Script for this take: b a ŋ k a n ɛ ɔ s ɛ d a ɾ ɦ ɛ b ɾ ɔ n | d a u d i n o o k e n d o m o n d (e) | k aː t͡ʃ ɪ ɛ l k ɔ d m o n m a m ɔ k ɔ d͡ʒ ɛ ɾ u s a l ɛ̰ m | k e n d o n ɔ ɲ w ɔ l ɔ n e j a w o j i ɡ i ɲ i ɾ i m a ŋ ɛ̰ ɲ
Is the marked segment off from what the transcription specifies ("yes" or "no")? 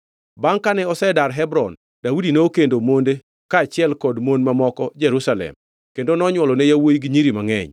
no